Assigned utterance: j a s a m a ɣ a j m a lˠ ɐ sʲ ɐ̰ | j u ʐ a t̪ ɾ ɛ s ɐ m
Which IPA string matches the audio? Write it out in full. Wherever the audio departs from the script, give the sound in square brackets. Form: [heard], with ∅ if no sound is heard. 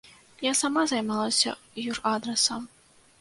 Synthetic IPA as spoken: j a s a m a [z] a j m a lˠ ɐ sʲ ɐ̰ | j u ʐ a [d̪] ɾ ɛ s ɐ m